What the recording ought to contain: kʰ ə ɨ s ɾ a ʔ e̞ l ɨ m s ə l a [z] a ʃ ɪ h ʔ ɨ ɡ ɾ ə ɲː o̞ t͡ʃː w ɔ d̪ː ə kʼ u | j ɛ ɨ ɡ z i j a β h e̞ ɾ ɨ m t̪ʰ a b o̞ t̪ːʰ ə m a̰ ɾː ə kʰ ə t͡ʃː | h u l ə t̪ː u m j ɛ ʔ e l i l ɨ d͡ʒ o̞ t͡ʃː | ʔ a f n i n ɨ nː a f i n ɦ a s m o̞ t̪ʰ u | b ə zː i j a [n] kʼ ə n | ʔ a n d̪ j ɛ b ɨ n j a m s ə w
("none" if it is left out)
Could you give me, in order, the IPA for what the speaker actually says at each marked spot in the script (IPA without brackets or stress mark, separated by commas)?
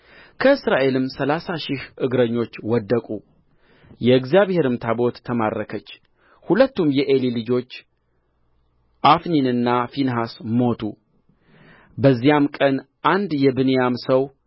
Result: s, m